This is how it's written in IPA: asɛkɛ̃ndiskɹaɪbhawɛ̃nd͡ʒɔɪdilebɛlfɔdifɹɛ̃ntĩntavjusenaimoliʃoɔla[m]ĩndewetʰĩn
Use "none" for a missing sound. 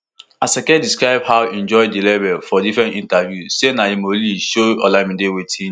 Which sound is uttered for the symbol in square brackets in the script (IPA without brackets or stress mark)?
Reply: m